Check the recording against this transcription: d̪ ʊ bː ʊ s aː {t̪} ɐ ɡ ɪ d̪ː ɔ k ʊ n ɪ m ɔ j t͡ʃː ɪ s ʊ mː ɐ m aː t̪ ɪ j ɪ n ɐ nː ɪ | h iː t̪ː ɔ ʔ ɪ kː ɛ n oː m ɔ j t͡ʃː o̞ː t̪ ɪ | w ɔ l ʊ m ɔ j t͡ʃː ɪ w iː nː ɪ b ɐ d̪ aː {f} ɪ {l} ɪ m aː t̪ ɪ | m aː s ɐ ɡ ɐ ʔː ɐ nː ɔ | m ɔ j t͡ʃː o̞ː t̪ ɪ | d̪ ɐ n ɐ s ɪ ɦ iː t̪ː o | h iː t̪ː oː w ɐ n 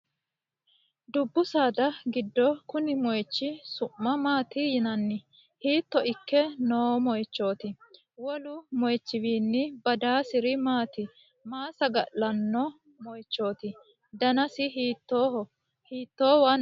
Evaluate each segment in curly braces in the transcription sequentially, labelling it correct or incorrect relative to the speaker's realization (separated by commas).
incorrect, incorrect, incorrect